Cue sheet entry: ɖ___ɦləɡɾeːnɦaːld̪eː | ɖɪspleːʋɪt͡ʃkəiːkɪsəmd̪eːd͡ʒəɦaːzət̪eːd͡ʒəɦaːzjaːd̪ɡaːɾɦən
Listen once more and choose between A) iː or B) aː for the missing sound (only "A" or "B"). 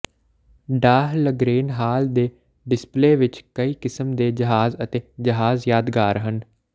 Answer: B